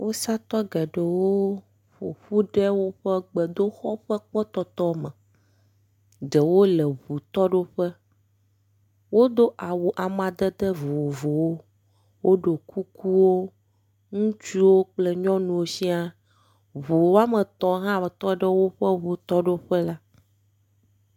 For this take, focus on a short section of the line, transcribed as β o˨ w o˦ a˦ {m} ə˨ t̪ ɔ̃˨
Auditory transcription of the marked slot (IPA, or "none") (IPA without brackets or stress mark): m